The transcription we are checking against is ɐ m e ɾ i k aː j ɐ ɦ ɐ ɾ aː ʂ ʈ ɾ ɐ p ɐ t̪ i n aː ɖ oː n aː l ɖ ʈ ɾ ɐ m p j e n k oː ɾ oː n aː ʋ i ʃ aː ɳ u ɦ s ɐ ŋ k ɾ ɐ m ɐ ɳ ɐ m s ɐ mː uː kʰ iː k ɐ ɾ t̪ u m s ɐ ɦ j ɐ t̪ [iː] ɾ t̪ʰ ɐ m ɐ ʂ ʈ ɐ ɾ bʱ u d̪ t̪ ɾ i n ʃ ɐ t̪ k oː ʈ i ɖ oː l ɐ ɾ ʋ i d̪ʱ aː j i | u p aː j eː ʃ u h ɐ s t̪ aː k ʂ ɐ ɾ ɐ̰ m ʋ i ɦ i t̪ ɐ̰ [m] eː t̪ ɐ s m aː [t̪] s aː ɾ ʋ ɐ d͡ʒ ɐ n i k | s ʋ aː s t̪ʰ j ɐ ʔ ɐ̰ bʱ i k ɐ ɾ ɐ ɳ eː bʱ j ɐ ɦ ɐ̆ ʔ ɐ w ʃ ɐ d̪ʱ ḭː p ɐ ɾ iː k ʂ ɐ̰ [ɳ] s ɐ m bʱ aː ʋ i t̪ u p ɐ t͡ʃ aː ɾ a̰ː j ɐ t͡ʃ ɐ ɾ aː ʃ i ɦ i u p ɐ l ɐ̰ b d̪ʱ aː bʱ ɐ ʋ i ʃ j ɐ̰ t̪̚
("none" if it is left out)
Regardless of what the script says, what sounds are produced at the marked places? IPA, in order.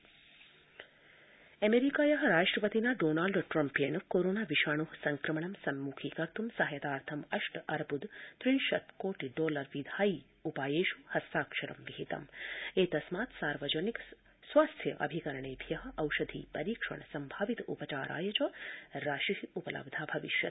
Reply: aː, m, t̪, ɳ

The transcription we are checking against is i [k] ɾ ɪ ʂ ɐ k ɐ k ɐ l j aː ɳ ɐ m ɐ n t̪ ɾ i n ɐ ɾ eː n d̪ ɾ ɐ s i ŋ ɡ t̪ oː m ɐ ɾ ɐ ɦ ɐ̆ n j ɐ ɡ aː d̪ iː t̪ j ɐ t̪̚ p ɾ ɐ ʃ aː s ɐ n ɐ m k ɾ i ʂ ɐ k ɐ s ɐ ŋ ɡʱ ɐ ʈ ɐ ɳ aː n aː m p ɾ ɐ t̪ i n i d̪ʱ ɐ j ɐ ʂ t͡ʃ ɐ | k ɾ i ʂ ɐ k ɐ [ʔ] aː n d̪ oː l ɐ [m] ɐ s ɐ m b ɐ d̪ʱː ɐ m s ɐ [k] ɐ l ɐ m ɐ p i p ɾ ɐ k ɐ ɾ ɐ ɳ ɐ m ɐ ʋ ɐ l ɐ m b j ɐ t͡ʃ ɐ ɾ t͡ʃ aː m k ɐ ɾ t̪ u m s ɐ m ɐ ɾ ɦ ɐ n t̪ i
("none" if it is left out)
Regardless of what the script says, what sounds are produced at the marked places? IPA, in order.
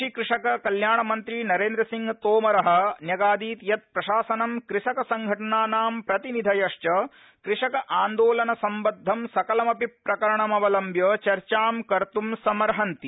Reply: k, ʔ, n, k

